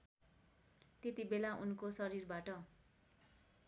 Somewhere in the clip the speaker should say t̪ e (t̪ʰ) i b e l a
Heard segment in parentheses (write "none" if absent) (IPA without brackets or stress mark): t̪